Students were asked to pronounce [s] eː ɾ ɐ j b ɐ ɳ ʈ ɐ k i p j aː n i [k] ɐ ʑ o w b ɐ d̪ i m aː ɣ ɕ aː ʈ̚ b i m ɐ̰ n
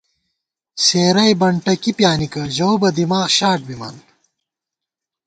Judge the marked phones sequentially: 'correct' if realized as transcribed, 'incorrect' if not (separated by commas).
correct, correct